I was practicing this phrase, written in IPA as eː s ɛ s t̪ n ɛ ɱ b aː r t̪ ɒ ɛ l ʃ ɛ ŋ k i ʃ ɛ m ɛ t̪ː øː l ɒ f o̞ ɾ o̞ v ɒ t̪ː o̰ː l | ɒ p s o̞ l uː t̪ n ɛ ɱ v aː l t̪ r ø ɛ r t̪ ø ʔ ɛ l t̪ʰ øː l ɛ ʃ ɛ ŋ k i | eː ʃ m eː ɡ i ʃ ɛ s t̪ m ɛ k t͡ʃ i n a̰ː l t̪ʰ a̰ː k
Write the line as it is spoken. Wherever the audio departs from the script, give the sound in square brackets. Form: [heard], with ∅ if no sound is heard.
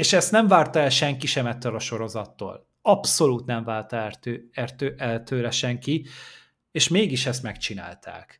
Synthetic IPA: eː [ʃ] ɛ s t̪ n ɛ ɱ [v] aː r t̪ ɒ ɛ l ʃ ɛ ŋ k i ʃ ɛ m ɛ t̪ː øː l ɒ [ʃ] o̞ ɾ o̞ [z] ɒ t̪ː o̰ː l | ɒ p s o̞ l uː t̪ n ɛ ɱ v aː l t̪ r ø ɛ r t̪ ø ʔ ɛ l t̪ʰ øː l ɛ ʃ ɛ ŋ k i | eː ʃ m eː ɡ i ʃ ɛ s t̪ m ɛ k t͡ʃ i n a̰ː l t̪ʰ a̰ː k